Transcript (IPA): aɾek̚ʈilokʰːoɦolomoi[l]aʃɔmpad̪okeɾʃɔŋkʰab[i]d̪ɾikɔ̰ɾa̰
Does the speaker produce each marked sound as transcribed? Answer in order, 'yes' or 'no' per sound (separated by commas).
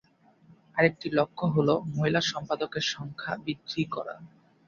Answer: yes, yes